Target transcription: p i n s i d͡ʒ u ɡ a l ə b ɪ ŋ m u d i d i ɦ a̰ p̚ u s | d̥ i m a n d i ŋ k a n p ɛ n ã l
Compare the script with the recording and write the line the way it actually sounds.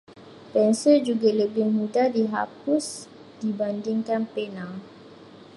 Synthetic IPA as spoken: p ɛ n s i d͡ʒ u ɡ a l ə b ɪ ŋ m u d a d i ɦ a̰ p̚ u s | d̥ i b a n d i ŋ k a n p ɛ n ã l